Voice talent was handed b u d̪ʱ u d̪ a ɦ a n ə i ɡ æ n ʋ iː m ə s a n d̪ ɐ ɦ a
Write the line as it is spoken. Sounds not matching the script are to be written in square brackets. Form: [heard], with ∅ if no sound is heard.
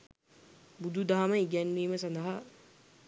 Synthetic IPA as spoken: b u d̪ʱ u d̪ a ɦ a [m] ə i ɡ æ n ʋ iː m ə s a n d̪ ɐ ɦ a